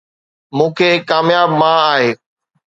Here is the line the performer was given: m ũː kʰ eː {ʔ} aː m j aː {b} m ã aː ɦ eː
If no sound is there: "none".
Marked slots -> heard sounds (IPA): k, b

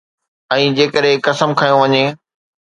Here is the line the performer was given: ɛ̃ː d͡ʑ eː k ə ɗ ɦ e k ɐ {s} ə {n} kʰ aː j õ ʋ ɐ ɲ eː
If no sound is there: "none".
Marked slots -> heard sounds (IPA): s, m

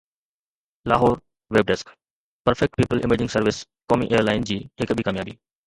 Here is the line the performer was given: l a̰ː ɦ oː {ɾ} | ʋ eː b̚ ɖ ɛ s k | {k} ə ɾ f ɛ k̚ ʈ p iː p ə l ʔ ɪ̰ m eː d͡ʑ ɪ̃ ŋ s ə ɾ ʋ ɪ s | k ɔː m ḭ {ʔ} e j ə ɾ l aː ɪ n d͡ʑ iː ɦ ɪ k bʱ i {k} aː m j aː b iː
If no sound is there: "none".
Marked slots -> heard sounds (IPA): ɾ, p, ʔ, k

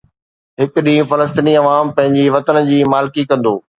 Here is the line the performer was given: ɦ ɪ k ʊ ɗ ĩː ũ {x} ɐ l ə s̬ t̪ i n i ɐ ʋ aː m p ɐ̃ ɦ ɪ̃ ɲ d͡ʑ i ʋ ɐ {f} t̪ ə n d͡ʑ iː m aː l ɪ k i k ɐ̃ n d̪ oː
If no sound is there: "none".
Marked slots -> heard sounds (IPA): f, none

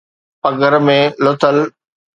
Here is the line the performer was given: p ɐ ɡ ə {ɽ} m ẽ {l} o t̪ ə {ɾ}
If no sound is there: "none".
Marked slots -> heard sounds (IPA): ɾ, l, l

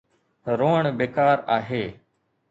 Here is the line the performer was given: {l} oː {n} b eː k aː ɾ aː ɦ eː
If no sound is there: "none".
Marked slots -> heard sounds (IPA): ɾ, ɳ

